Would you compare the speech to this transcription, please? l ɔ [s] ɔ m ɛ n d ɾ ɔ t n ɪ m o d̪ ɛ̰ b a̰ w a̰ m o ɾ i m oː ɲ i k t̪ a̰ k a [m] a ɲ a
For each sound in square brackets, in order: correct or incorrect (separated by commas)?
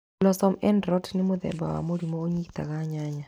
correct, incorrect